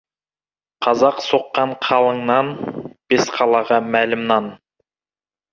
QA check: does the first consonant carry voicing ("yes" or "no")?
no